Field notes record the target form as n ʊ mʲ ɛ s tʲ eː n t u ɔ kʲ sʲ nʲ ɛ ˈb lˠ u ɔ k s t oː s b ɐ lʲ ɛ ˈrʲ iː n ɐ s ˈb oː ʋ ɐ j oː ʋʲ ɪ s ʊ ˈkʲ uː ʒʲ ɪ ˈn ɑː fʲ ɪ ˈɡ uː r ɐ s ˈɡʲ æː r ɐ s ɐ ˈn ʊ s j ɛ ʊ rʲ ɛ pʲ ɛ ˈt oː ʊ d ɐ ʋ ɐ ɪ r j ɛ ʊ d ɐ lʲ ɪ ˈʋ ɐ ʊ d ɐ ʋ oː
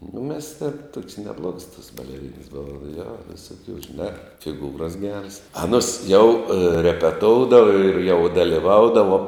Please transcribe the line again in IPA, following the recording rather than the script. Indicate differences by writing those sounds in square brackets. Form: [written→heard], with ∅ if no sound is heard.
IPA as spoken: n ʊ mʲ ɛ s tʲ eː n t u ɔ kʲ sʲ nʲ ɛ ˈb lˠ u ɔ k s t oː s b ɐ lʲ ɛ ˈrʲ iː n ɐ s ˈb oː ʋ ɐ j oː ʋʲ ɪ s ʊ ˈkʲ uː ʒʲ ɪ ˈn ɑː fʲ ɪ ˈɡ uː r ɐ s ˈɡʲ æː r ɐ s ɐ ˈn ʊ s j ɛ ʊ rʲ ɛ pʲ ɛ ˈt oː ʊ d ɐ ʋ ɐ ɪ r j ɛ ʊ d ɐ lʲ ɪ ˈʋ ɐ ʊ d ɐ ʋ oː